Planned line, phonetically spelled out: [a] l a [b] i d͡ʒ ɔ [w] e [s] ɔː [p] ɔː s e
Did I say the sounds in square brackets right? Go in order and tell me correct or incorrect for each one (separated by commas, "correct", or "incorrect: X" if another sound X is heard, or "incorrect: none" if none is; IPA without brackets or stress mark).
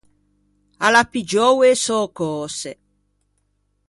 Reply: correct, incorrect: p, correct, correct, incorrect: k